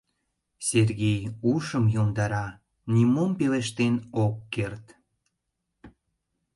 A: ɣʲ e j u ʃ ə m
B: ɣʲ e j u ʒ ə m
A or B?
A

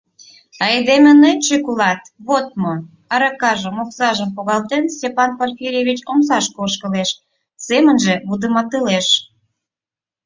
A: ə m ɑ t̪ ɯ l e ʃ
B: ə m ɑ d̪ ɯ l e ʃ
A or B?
A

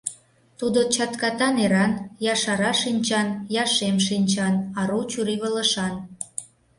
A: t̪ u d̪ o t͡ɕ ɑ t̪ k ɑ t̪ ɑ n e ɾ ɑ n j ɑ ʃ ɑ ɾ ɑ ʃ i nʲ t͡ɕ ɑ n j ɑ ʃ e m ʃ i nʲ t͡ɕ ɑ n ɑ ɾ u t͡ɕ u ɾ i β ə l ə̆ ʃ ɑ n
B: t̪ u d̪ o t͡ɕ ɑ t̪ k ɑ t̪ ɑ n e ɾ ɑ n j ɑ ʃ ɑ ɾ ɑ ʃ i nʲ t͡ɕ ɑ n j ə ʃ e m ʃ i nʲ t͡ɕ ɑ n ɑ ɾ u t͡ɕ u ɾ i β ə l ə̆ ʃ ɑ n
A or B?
A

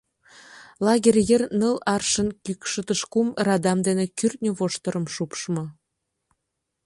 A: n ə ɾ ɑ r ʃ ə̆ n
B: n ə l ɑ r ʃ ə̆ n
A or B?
B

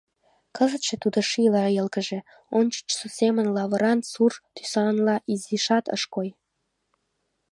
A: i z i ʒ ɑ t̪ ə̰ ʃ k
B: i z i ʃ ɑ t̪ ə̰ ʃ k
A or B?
B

